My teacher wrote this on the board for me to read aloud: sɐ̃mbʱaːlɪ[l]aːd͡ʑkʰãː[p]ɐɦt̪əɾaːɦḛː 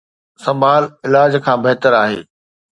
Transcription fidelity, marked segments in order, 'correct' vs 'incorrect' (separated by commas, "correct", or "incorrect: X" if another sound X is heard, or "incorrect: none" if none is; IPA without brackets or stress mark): correct, incorrect: b